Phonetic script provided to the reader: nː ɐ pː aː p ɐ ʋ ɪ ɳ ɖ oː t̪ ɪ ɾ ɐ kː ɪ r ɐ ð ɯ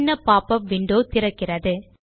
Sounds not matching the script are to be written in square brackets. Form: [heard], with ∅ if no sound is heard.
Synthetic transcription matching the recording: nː ɐ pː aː p ɐ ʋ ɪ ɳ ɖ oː t̪ ɪ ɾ ɐ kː ɪ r ɐ ð ɯ